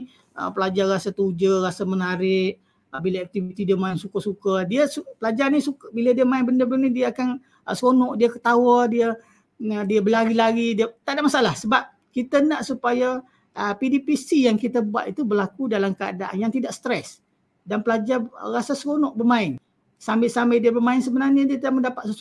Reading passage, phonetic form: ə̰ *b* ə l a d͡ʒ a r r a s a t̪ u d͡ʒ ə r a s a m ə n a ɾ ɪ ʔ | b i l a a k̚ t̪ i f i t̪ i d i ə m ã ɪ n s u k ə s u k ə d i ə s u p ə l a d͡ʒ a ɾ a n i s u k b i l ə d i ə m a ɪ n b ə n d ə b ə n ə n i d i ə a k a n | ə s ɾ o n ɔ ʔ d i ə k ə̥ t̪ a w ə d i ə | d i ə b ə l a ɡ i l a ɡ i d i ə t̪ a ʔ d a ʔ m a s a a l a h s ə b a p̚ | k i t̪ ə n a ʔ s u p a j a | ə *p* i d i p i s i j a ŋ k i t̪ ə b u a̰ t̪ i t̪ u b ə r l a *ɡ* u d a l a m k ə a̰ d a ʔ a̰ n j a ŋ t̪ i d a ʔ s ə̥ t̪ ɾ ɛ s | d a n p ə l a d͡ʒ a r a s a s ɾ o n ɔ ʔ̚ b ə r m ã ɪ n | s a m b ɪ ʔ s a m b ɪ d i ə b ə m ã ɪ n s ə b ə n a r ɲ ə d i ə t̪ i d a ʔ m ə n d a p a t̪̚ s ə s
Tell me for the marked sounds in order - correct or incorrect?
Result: incorrect: p, correct, incorrect: k

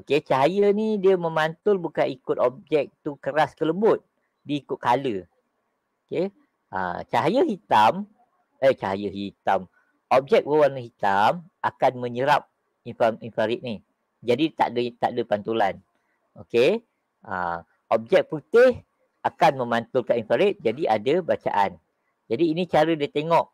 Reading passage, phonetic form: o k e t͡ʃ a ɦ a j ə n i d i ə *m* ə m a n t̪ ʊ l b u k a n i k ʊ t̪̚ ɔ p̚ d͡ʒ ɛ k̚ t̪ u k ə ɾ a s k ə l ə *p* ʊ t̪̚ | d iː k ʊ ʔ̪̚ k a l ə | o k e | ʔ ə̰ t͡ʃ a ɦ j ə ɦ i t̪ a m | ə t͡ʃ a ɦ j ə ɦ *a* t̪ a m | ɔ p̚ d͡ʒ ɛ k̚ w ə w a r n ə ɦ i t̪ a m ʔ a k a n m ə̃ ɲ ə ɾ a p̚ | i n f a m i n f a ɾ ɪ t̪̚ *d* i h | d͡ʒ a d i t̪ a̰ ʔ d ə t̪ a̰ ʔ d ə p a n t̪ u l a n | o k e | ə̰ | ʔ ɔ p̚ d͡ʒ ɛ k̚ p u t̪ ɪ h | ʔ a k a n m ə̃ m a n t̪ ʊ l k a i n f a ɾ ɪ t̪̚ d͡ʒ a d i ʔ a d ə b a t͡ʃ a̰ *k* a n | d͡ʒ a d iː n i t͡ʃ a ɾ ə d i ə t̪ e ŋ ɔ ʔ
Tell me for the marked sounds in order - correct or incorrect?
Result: correct, incorrect: b, incorrect: i, incorrect: n, incorrect: ʔ

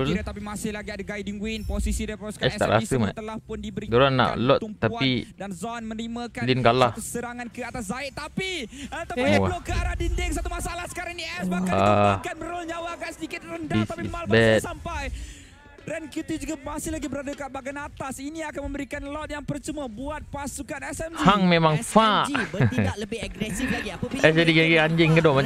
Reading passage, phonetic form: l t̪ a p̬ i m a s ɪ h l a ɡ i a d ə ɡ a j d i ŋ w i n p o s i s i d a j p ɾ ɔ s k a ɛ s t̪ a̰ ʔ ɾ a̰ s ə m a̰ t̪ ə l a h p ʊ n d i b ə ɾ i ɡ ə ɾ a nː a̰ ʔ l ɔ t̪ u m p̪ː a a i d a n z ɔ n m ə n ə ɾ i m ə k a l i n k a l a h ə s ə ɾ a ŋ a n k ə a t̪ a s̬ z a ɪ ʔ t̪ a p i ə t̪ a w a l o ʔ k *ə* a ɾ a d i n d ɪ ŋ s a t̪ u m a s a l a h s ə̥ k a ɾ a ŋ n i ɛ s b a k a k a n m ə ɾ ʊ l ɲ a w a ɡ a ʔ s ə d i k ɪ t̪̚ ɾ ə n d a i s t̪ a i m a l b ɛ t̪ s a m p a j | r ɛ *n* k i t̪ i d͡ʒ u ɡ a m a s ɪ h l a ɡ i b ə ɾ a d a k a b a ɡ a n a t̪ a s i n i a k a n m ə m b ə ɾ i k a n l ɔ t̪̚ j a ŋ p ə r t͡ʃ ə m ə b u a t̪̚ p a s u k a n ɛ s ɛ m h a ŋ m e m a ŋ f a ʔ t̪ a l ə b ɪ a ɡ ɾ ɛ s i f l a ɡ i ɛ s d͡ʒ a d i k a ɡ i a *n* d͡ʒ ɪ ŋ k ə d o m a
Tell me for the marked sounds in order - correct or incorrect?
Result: correct, correct, incorrect: ɲ

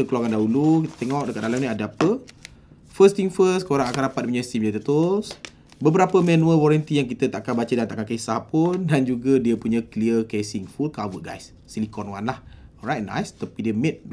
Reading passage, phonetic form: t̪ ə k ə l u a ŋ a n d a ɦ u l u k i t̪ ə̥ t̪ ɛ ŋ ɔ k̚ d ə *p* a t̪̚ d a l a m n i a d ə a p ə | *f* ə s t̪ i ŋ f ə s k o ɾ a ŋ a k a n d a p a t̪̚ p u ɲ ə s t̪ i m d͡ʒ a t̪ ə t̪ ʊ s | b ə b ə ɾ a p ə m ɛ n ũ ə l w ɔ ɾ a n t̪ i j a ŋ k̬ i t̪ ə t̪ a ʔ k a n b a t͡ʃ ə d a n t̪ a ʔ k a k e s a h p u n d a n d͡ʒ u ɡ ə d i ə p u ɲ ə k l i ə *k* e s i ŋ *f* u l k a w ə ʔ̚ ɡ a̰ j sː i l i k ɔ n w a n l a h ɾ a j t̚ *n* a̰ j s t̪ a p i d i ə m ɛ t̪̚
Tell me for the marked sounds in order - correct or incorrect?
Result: incorrect: k, correct, correct, correct, correct

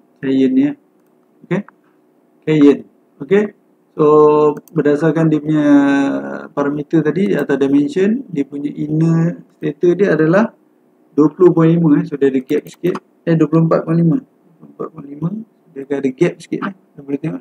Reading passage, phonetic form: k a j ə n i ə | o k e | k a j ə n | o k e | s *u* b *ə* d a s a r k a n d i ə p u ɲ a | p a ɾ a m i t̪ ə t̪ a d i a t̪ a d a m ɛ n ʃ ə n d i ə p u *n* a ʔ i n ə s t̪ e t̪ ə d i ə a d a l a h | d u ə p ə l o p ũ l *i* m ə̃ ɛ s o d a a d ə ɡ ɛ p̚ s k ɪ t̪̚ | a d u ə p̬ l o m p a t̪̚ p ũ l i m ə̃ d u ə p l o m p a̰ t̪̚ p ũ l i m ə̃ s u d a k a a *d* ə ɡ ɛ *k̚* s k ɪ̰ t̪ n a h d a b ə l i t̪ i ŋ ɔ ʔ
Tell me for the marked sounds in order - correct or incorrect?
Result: incorrect: o, correct, incorrect: ɲ, correct, correct, incorrect: p̚

